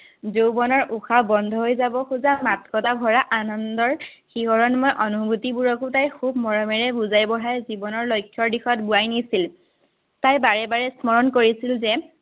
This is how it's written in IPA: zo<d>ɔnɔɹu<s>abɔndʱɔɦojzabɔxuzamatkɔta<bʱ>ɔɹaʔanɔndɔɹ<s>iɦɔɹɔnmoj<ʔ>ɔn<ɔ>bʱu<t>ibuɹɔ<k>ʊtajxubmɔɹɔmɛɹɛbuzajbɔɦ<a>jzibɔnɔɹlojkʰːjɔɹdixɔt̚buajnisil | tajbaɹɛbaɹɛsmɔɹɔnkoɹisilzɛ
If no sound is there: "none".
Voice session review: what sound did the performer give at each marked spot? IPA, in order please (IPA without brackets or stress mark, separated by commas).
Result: b, x, bʱ, x, ʔ, u, t, k, a